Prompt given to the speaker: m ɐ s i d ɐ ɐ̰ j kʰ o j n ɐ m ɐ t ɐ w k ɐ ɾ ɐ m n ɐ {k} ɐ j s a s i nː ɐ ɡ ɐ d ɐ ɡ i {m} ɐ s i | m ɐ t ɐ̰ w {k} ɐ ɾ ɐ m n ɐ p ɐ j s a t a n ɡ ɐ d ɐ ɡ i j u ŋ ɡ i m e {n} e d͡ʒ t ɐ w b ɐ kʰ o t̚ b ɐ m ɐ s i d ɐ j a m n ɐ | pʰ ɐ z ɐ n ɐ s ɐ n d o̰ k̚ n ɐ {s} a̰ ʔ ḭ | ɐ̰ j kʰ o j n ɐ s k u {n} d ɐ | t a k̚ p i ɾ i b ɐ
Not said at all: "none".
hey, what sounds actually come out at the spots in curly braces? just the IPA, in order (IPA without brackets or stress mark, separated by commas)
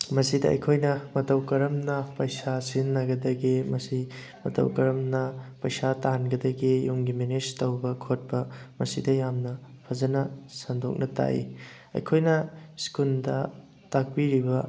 p, m, k, n, t, n